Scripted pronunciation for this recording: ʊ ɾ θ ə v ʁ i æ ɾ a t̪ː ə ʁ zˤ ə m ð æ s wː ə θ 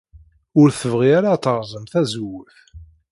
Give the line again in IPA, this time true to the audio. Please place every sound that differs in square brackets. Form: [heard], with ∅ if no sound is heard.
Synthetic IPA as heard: ʊ ɾ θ ə v ʁ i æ ɾ a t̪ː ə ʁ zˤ ə m [θ] æ [z] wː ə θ